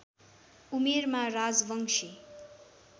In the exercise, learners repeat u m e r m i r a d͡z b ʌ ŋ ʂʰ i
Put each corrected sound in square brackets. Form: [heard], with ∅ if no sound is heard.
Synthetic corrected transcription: u m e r m [a] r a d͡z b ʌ ŋ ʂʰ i